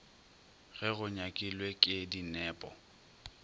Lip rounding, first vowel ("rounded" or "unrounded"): unrounded